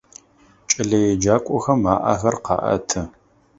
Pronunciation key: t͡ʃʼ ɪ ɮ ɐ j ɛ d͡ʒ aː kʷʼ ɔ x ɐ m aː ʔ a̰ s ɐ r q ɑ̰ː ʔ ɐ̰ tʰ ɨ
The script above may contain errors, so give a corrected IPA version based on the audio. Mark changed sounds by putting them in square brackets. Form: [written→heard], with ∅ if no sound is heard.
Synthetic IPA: t͡ʃʼ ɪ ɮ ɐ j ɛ d͡ʒ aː kʷʼ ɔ x ɐ m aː ʔ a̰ [s→x] ɐ r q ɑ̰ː ʔ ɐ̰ tʰ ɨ